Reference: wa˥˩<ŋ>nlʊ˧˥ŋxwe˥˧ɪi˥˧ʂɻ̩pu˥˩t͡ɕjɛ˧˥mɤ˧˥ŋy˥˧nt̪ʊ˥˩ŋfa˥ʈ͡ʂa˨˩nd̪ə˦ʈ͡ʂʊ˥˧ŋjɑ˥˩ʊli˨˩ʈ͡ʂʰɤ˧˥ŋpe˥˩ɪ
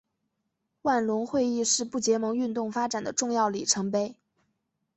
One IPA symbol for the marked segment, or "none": none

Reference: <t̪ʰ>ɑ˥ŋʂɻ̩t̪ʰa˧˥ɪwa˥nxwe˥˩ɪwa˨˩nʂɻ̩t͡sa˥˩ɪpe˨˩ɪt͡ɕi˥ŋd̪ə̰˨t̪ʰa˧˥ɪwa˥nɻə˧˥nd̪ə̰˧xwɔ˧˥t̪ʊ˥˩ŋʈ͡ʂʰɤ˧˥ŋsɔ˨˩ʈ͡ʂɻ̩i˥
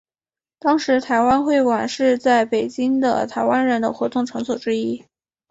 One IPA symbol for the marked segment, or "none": t̪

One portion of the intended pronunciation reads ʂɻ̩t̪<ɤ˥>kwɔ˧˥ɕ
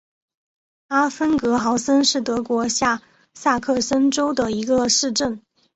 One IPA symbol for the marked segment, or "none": ɤ˧˥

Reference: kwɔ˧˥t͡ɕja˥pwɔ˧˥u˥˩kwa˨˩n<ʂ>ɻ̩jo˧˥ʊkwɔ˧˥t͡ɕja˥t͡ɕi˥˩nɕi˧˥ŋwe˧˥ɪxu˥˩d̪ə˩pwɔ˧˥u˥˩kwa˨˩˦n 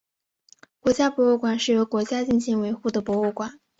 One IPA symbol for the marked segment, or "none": ʂ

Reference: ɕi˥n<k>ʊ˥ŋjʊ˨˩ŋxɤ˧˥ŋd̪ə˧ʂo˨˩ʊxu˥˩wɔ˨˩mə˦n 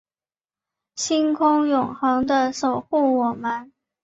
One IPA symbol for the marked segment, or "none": kʰ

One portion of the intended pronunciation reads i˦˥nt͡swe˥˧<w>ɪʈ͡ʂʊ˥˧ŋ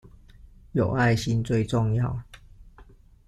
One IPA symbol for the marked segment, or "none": none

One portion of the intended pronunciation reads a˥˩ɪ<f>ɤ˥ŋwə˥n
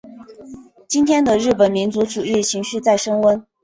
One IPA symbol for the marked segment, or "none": ʂ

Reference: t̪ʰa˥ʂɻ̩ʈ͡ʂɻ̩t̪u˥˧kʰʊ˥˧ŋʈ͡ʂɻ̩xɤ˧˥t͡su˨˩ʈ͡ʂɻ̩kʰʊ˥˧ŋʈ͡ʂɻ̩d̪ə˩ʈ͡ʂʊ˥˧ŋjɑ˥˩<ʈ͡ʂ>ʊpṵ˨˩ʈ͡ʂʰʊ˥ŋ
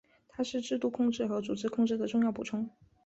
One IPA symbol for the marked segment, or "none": none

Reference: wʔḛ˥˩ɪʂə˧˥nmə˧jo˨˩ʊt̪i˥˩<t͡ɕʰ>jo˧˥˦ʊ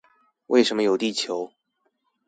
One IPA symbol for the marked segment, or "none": t͡ɕʰ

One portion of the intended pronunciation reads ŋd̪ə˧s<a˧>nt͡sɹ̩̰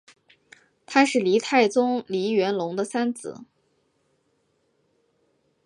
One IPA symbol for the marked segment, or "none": a˥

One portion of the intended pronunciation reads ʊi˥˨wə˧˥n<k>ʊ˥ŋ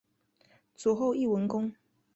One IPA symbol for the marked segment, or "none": k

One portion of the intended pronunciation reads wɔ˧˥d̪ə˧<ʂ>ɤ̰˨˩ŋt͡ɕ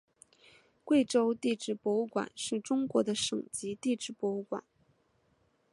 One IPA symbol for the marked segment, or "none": ʂ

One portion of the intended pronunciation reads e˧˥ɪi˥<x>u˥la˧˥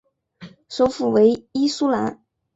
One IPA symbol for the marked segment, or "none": s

